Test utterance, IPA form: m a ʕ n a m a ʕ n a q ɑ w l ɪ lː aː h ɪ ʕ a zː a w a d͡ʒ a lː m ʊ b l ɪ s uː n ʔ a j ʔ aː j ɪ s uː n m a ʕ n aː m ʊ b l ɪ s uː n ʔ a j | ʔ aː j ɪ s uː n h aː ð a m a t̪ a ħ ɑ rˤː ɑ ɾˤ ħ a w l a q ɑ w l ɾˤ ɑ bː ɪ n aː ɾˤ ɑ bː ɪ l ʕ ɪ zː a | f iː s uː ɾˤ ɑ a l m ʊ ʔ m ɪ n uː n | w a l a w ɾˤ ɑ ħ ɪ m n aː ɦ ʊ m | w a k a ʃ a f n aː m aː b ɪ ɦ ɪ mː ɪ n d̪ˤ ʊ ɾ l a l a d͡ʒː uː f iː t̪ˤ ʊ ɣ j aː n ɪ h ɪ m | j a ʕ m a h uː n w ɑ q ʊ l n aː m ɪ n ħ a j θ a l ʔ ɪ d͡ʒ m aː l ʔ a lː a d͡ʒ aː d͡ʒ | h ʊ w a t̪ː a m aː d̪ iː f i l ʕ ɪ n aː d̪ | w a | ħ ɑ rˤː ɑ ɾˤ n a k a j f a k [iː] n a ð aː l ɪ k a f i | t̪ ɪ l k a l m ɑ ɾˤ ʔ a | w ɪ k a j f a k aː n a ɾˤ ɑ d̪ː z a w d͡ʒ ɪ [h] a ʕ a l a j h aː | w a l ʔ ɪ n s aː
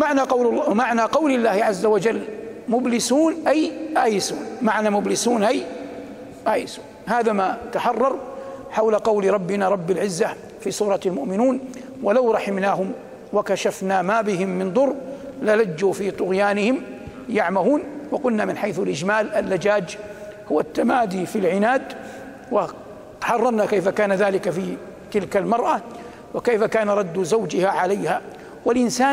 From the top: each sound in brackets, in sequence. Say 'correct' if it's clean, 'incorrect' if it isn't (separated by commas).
incorrect, correct